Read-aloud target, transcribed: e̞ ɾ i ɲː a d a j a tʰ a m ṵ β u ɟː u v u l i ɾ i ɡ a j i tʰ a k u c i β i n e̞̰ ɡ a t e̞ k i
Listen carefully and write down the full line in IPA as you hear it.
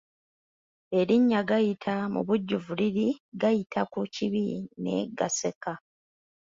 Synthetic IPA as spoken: e̞ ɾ i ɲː a ɡ a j i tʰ a m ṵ β u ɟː u v u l i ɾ i ɡ a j i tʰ a k u c i β i n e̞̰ ɡ a s e̞ k a